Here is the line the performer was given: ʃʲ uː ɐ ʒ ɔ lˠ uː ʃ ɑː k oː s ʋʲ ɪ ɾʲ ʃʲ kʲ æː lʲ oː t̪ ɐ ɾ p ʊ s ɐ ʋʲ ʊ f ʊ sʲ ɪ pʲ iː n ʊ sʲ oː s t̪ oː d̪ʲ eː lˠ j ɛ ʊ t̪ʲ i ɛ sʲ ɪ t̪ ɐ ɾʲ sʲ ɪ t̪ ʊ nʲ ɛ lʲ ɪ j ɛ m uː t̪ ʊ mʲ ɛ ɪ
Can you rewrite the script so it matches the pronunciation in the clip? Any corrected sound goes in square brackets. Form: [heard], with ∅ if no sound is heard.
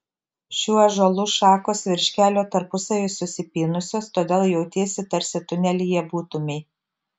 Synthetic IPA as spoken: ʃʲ uː ɐ ʒ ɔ lˠ uː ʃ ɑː k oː s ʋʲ ɪ ɾʲ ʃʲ kʲ æː lʲ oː t̪ ɐ ɾ p ʊ s ɐ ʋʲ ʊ [s] ʊ sʲ ɪ pʲ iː n ʊ sʲ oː s t̪ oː d̪ʲ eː lˠ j ɛ ʊ t̪ʲ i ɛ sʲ ɪ t̪ ɐ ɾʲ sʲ ɪ t̪ ʊ nʲ ɛ lʲ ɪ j ɛ [b] uː t̪ ʊ mʲ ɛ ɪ